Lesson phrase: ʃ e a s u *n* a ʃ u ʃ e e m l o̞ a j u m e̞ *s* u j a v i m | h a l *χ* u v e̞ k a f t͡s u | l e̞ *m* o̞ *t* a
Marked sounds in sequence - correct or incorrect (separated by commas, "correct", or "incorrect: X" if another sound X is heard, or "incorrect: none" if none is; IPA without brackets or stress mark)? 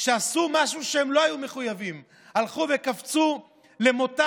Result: incorrect: m, incorrect: χ, correct, correct, correct